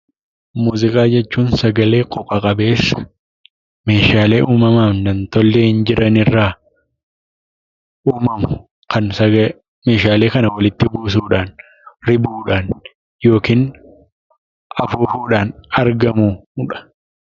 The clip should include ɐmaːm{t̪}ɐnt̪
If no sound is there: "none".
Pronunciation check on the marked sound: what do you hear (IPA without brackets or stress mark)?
d̪